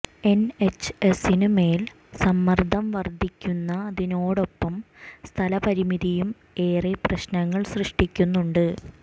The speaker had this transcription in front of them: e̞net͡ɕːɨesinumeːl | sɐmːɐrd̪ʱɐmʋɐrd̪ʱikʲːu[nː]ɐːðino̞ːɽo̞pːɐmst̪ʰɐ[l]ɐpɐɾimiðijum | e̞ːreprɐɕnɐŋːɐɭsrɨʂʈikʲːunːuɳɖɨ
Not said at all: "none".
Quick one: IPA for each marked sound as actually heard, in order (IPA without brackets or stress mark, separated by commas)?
nː, l